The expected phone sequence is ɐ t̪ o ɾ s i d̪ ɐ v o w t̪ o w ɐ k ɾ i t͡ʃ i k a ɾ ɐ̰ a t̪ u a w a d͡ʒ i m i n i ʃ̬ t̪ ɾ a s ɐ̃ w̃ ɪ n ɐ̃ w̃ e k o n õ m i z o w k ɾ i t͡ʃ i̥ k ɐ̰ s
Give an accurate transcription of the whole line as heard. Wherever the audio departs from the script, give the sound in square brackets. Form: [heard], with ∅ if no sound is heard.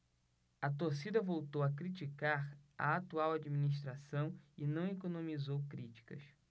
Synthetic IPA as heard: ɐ t̪ o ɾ s i d̪ ɐ v o w t̪ o w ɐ k ɾ i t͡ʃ i k a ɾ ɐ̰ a t̪ u a w a d͡ʒ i m i n i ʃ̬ t̪ ɾ a s ɐ̃ w̃ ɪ n ɐ̃ w̃ e k o n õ m i z o w k ɾ i t͡ʃ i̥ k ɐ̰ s